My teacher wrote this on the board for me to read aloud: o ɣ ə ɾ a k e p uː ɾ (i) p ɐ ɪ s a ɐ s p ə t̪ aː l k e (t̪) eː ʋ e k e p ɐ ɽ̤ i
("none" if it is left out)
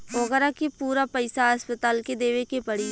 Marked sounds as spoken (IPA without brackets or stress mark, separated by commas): a, d̪